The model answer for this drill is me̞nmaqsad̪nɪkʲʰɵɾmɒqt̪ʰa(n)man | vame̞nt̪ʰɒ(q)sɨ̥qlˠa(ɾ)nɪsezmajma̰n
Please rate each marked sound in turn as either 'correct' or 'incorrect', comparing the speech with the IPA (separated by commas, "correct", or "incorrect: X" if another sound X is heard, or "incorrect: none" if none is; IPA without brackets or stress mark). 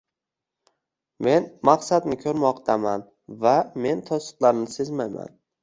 incorrect: none, incorrect: none, correct